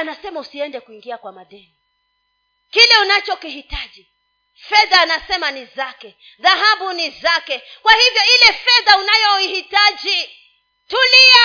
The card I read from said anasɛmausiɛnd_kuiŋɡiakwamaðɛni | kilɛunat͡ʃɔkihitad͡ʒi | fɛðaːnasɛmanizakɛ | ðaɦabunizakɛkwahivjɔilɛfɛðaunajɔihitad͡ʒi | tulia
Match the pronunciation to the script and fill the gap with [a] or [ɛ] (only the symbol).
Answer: ɛ